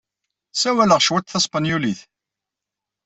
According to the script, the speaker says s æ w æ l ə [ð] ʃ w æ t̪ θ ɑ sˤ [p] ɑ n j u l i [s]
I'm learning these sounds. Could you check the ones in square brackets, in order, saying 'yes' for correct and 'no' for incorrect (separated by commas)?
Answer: no, yes, no